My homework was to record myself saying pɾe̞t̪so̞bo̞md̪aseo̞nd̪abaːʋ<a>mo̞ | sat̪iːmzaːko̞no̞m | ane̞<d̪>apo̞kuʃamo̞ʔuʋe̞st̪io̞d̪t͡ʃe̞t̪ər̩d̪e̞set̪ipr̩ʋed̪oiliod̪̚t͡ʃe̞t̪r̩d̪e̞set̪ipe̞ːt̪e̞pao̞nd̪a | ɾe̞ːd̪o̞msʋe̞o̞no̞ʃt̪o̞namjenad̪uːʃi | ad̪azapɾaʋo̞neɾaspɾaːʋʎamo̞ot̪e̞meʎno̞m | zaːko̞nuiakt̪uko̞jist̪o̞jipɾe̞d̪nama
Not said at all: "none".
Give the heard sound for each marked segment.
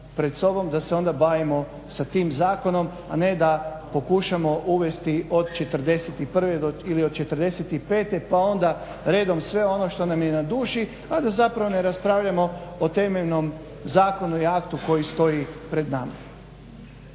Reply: i, d̪

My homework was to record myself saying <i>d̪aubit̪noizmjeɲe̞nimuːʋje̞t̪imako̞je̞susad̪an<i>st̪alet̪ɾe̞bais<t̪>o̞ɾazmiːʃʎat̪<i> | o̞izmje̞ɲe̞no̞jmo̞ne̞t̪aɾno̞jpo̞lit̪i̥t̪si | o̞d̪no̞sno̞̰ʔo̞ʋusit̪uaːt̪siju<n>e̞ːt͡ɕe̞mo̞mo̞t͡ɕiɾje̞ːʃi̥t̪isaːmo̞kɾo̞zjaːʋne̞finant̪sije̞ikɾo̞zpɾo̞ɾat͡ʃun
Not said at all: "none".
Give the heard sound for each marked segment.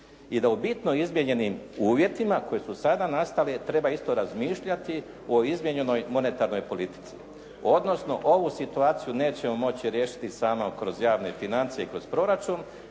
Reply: i, a, t̪, i, n

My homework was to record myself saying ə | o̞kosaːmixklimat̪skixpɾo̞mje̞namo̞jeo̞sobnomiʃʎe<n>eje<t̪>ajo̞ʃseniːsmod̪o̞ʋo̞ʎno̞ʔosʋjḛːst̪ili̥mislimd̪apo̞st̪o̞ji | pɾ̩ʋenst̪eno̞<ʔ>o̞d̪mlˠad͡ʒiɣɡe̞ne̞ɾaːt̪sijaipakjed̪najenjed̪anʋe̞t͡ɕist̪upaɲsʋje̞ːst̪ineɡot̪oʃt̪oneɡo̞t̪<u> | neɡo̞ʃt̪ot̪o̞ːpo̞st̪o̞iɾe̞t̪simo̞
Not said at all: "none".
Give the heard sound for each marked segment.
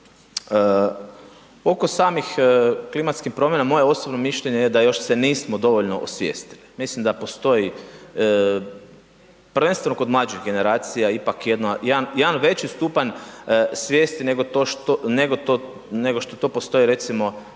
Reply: ɲ, d̪, k, o

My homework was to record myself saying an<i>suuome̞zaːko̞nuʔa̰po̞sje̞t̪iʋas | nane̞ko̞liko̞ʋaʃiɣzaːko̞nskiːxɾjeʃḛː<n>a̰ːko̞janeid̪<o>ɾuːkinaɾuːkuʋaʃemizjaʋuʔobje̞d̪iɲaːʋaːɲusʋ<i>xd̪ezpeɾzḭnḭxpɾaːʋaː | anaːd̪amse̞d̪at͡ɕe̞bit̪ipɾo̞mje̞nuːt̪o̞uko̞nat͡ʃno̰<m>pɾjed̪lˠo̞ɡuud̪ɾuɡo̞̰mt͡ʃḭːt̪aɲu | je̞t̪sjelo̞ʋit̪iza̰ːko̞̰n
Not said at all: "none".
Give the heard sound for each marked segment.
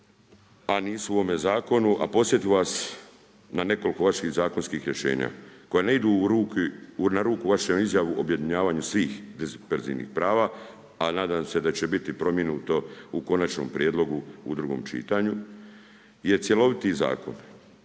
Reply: iː, ɲ, u, iː, m

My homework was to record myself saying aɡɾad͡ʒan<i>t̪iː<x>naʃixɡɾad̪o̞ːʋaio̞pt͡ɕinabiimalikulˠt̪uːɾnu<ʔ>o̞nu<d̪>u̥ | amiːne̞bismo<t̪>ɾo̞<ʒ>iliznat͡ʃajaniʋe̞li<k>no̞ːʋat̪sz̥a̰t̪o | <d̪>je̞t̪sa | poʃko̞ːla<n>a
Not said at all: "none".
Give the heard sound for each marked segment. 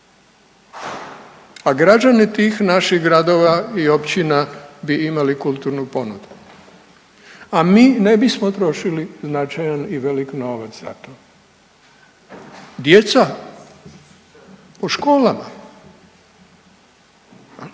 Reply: i, x, p, d̪, t̪, ʃ, k, d̪, m

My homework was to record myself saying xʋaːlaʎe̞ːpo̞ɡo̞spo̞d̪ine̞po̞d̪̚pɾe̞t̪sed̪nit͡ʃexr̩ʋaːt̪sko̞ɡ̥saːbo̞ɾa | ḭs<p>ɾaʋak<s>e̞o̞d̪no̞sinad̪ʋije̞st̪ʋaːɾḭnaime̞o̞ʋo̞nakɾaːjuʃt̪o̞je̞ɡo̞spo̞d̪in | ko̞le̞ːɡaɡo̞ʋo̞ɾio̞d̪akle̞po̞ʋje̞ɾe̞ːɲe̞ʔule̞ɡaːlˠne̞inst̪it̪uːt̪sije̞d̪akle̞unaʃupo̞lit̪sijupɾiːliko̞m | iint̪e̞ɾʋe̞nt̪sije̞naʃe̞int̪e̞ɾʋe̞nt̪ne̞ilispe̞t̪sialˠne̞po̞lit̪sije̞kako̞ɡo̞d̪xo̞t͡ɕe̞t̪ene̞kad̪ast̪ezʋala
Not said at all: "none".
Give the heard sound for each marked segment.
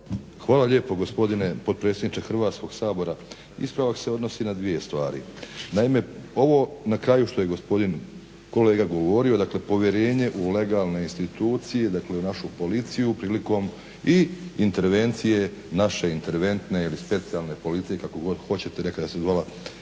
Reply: p, s

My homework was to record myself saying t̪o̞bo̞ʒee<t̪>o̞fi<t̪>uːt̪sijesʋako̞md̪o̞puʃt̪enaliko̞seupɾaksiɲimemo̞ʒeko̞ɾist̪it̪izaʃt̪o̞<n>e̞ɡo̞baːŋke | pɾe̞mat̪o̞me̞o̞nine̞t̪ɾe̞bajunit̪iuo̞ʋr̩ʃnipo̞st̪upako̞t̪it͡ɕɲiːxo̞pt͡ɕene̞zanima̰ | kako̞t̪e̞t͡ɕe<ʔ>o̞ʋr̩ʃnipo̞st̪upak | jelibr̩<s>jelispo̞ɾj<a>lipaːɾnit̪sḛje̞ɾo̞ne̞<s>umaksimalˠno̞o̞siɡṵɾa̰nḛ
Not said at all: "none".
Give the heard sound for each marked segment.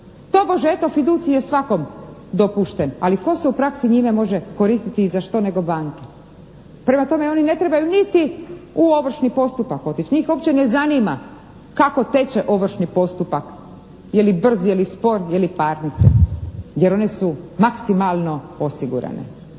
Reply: t̪, d̪, n, ʔ, z, e, s

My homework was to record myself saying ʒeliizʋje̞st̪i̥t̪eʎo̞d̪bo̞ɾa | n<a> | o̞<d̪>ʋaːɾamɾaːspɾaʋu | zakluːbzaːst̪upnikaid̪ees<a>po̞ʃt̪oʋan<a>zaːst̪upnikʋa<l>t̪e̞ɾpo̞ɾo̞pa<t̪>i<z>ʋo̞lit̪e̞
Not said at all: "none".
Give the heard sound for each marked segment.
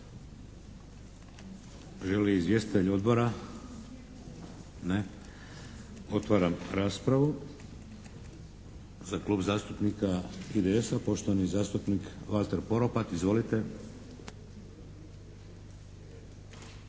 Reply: e, t̪, a, i, l, t̪, z

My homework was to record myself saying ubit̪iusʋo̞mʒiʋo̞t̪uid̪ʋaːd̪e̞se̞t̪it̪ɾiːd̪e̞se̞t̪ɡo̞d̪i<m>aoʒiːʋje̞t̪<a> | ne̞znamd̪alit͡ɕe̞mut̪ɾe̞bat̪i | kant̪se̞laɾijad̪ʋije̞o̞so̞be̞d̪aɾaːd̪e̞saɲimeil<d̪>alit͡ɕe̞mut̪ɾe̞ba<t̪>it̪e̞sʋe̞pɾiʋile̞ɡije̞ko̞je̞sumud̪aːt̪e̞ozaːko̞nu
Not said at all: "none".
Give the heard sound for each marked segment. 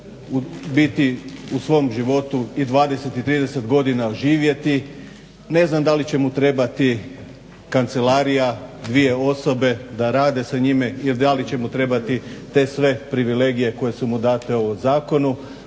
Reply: n, i, d̪, t̪

